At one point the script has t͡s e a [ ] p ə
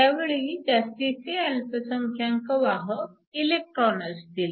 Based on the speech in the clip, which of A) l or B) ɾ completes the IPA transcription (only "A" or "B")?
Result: A